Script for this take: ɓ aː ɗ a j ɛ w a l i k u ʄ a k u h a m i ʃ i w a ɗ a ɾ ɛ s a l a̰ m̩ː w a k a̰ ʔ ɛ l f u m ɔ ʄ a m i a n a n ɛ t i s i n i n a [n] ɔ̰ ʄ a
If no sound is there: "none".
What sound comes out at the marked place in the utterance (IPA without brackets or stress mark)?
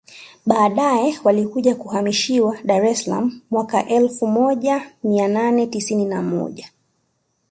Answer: m